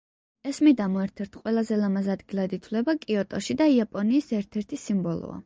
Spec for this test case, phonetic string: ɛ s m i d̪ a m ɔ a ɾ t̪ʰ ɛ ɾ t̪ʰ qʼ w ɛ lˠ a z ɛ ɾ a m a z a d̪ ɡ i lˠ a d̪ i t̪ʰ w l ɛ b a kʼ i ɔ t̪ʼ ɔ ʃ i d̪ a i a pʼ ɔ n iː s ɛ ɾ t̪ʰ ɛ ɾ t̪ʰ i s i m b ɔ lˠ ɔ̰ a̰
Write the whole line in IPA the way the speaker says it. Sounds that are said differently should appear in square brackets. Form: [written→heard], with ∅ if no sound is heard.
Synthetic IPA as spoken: ɛ s m i d̪ a m ɔ [a→ɛ] ɾ t̪ʰ ɛ ɾ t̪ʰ qʼ w ɛ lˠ a z ɛ [ɾ→l] a m a z a d̪ ɡ i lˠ a d̪ i t̪ʰ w l ɛ b a kʼ i ɔ t̪ʼ ɔ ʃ i d̪ a i a pʼ ɔ n iː s ɛ ɾ t̪ʰ ɛ ɾ t̪ʰ i s i m b ɔ lˠ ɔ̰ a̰

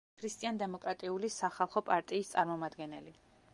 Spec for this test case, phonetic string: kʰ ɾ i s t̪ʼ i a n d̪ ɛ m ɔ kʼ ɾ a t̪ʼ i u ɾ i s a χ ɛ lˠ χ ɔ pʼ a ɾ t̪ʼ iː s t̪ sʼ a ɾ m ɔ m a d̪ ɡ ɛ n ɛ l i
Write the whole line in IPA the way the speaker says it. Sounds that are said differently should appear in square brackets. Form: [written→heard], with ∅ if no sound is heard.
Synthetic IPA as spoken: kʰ ɾ i s t̪ʼ i a n d̪ ɛ m ɔ kʼ ɾ a t̪ʼ i u [ɾ→l] i s a χ [ɛ→a] lˠ χ ɔ pʼ a ɾ t̪ʼ iː s t̪ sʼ a ɾ m ɔ m a d̪ ɡ ɛ n ɛ l i

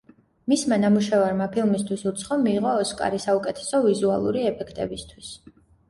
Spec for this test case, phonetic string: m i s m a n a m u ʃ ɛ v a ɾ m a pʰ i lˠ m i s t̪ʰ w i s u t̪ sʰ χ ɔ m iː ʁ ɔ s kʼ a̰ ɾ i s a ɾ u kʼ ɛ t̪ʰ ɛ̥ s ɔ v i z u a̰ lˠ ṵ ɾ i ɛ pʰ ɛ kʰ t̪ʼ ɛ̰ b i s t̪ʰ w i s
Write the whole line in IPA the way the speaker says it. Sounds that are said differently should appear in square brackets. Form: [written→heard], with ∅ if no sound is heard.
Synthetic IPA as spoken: m i s m a n a m u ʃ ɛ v a ɾ m a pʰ i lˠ m i s t̪ʰ w i s u t̪ sʰ χ ɔ m iː ʁ [ɔ→ɔː] s kʼ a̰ ɾ i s a [ɾ→∅] u kʼ ɛ t̪ʰ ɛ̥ s ɔ v i z u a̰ lˠ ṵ ɾ i ɛ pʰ ɛ kʰ t̪ʼ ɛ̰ b i s t̪ʰ w i s

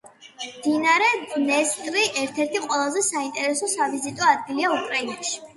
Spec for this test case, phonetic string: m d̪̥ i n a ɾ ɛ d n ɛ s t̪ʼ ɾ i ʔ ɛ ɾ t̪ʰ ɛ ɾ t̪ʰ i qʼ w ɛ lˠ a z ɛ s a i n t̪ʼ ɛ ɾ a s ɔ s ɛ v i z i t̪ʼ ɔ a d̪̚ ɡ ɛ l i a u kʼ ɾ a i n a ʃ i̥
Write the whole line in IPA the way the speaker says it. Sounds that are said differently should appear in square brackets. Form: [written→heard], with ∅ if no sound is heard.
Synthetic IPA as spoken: m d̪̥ i n a ɾ ɛ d n ɛ s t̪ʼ ɾ i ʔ ɛ ɾ t̪ʰ ɛ ɾ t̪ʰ i qʼ w ɛ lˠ a z ɛ s a i n t̪ʼ ɛ ɾ [a→ɛ] s ɔ s [ɛ→a] v i z i t̪ʼ ɔ a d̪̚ ɡ [ɛ→i] l i a u kʼ ɾ a i n a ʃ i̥

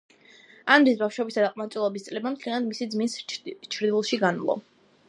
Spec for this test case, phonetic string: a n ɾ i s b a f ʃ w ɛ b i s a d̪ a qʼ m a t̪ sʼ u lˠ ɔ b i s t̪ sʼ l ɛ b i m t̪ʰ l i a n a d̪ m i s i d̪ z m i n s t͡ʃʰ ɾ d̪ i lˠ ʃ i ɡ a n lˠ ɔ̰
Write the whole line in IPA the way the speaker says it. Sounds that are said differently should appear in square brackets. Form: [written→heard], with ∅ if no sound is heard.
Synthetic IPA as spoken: a n ɾ i s b a f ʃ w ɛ b i s a d̪ a qʼ m a t̪ sʼ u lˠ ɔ b i s t̪ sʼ l ɛ b [i→a] m t̪ʰ l i a n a d̪ m i s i d̪ z m i n s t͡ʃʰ ɾ d̪ i lˠ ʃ i ɡ a n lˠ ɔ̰

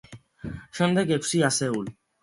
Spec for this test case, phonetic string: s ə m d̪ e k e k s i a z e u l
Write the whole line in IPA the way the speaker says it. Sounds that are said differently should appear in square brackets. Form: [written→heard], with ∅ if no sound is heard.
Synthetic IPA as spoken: [s→ʃ] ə [m→n] d̪ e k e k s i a [z→s] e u l

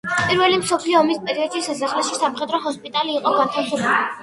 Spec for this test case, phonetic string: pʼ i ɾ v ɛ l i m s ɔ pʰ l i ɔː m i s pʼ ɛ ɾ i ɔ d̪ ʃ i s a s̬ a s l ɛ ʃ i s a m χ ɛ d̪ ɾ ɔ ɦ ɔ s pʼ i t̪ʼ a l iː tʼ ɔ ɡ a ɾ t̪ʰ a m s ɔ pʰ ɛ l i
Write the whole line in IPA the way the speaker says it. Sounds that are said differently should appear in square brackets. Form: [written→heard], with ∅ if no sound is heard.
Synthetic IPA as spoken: pʼ i ɾ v ɛ l i m s ɔ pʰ l i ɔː m i s pʼ ɛ ɾ i ɔ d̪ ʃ i s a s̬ a [s→χ] l ɛ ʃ i s a m χ ɛ d̪ ɾ ɔ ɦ ɔ s pʼ i t̪ʼ a l iː [tʼ→qʼ] ɔ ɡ a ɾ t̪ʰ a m s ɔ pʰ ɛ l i

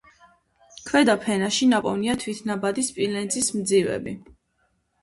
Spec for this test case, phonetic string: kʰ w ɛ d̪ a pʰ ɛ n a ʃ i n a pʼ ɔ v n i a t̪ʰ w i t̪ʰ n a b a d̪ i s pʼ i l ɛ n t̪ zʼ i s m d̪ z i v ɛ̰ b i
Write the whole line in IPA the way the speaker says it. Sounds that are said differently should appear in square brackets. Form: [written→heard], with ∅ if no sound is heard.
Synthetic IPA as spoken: kʰ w ɛ d̪ a pʰ ɛ n a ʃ i n a pʼ ɔ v n i a t̪ʰ w i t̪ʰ n a b a d̪ i s pʼ i l ɛ n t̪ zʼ i s m d̪ z i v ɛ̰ b i

